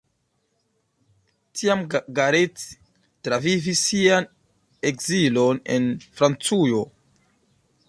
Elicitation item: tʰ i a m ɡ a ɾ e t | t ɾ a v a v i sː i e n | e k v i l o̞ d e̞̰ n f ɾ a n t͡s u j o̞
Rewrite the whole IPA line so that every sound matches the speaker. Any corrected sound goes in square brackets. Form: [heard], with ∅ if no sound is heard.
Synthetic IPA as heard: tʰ i a m ɡ a ɾ e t | t ɾ a v [i] v i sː i [a] n | e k [z] i l o̞ [n] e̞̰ n f ɾ a n t͡s u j o̞